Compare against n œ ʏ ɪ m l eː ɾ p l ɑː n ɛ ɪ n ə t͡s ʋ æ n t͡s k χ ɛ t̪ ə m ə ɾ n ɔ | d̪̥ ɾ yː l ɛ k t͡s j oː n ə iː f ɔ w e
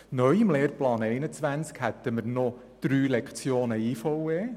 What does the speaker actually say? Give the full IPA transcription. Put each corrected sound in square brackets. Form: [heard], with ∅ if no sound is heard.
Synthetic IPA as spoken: n œ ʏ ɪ m l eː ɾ p l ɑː n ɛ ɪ n ə t͡s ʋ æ n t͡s k [h] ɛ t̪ ə m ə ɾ n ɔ | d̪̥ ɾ yː l ɛ k t͡s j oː n ə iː f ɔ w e